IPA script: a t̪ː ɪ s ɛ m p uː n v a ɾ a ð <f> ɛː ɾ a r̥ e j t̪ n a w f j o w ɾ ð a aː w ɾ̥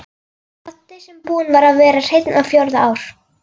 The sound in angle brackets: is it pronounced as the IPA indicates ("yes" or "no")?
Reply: no